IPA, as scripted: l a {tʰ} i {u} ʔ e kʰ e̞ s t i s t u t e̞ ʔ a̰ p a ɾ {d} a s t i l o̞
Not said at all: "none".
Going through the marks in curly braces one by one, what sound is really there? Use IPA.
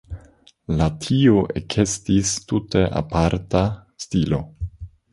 tʰ, o, t

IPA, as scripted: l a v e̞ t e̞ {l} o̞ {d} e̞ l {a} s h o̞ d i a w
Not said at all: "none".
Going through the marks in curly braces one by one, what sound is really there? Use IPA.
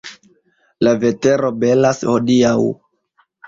ɾ, b, a

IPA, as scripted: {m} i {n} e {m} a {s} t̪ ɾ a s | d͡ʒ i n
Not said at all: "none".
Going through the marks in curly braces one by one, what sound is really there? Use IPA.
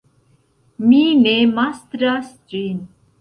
m, n, m, s

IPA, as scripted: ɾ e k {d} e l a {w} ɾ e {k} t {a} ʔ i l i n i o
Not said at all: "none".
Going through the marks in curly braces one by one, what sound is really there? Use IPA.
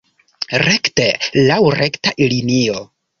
t, w, k, a

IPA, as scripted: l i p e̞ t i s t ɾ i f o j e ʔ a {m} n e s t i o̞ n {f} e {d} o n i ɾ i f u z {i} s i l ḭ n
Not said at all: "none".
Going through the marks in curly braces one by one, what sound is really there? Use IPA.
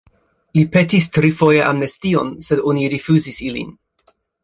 m, s, d, i

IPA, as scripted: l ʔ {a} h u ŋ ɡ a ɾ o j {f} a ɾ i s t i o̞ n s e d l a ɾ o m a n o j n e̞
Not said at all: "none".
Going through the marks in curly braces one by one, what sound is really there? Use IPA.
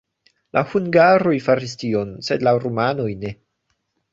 a, f

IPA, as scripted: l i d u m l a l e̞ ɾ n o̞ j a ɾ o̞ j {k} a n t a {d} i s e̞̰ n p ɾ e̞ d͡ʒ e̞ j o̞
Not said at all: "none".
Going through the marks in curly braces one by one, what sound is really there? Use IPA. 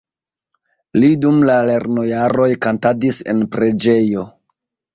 k, d

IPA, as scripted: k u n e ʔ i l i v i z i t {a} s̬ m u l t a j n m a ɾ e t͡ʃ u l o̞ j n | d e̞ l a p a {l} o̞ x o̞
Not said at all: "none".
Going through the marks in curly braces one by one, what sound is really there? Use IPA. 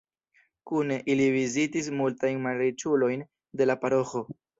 i, ɾ

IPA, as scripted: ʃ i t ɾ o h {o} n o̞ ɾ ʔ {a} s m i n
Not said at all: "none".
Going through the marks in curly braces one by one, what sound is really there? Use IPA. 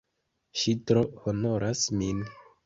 o, a

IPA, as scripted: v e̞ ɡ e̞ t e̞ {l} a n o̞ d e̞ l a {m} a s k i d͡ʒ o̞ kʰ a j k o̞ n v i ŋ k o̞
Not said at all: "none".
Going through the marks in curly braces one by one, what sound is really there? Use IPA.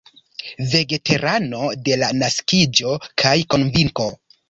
ɾ, n

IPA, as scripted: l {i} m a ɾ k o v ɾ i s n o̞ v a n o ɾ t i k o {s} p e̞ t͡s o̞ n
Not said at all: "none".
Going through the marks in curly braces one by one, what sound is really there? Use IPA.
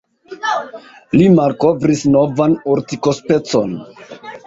i, s

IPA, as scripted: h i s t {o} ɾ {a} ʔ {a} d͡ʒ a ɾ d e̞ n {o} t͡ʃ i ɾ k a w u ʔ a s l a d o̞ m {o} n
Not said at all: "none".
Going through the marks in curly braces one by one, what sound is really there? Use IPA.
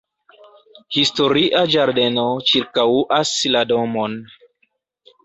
o, i, a, o, o

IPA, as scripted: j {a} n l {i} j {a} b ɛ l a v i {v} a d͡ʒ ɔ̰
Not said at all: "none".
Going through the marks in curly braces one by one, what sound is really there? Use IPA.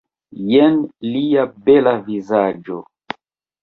ɛ, i, a, z

